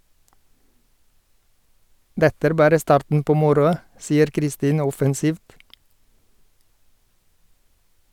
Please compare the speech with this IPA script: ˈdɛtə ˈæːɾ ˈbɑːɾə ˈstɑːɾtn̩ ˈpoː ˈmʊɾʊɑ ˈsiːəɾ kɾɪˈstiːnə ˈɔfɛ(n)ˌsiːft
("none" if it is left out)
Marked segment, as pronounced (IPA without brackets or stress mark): n